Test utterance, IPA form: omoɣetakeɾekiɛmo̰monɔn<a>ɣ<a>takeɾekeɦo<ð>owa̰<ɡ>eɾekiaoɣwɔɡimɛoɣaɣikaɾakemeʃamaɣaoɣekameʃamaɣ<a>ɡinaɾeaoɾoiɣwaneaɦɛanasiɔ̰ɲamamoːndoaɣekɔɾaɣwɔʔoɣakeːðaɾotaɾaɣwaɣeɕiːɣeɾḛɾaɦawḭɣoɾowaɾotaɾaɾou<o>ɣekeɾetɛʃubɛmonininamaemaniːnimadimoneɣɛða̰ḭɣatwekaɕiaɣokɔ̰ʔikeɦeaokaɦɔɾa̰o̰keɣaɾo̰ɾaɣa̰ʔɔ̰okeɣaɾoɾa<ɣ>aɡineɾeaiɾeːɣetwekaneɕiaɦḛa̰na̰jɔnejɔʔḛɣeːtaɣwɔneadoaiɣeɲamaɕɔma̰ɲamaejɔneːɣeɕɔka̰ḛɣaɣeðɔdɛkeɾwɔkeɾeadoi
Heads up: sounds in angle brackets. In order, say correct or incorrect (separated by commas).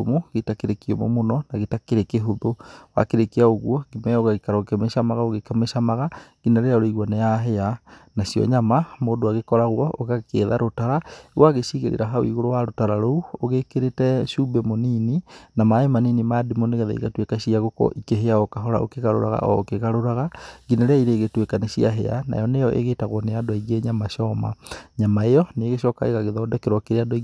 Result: correct, incorrect, correct, incorrect, correct, correct, correct